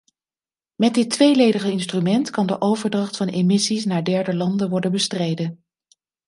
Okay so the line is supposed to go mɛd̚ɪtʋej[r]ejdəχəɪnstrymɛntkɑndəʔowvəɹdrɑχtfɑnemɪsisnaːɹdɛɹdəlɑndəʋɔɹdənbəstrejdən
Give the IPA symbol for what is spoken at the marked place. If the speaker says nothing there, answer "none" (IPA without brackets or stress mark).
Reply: l